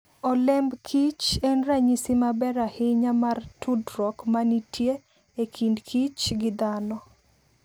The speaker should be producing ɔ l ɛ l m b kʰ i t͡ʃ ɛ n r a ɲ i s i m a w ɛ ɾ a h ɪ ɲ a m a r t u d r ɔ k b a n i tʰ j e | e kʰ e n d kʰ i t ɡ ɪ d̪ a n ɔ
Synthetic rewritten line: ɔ l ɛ m b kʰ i t͡ʃ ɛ n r a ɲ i s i m a b ɛ ɾ a h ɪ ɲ a m a r t u d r ɔ k m a n i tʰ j e | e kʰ i n d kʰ i t͡ʃ ɡ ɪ d̪ a n ɔ